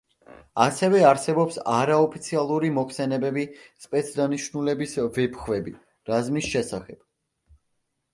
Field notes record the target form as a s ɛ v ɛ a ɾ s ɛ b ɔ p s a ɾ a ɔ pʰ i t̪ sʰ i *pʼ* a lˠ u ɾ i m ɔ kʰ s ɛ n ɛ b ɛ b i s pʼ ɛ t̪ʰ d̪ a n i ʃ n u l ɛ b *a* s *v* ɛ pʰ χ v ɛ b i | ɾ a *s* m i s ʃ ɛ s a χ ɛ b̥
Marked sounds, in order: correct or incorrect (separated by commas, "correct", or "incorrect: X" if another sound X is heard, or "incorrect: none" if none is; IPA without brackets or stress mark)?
incorrect: none, incorrect: i, correct, incorrect: z